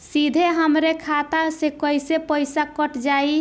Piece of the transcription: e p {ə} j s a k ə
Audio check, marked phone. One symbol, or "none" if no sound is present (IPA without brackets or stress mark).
ə